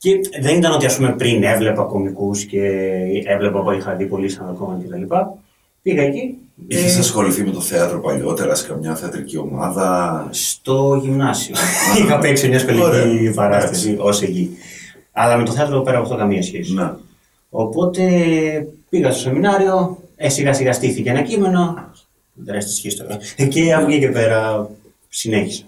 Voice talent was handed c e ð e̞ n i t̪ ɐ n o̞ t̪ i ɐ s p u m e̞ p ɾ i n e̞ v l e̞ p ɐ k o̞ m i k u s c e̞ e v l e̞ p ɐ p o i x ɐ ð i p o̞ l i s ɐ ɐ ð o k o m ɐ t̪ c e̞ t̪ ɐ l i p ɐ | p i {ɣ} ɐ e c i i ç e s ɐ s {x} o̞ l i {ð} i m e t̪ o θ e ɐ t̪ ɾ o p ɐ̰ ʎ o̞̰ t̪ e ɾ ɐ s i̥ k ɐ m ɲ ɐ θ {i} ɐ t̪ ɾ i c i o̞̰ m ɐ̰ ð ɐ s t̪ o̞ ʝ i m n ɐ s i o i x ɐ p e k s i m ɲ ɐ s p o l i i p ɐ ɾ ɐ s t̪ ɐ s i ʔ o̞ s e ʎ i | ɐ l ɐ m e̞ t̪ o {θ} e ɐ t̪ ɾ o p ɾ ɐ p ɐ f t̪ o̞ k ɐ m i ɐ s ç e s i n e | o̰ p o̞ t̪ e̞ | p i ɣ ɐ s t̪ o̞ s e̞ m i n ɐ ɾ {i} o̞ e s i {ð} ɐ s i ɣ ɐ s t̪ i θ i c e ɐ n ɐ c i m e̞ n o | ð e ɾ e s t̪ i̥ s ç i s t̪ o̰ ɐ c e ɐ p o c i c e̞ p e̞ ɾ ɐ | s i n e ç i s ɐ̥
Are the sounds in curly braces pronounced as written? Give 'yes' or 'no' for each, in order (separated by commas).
yes, yes, no, no, yes, yes, no